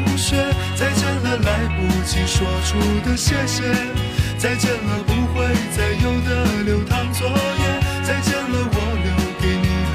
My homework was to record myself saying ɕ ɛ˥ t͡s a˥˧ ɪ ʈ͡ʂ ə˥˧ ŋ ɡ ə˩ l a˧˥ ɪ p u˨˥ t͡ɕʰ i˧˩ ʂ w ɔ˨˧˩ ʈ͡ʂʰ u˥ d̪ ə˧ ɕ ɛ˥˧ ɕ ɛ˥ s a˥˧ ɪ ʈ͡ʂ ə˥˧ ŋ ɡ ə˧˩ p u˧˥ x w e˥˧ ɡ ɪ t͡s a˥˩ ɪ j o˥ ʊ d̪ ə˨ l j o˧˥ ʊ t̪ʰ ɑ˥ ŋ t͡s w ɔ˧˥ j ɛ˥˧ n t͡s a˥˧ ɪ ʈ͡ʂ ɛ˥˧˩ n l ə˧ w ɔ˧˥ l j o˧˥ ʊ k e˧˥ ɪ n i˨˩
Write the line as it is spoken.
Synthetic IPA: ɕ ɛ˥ t͡s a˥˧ ɪ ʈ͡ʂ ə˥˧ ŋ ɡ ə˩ l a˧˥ ɪ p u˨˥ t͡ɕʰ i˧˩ ʂ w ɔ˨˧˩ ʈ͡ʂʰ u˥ d̪ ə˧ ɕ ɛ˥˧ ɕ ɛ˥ t͡s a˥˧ ɪ ʈ͡ʂ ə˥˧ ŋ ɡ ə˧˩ p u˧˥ x w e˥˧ ɪ t͡s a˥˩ ɪ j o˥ ʊ d̪ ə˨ l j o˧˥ ʊ t̪ʰ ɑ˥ ŋ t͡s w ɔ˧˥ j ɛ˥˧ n t͡s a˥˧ ɪ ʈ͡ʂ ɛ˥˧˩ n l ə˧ w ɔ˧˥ l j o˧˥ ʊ k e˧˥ ɪ n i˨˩